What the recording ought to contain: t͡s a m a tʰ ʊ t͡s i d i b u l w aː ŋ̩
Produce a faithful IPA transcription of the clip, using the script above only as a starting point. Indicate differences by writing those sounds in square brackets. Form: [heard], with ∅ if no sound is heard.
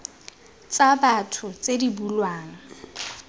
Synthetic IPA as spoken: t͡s a [b] a tʰ ʊ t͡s [e] d i b u l w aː ŋ̩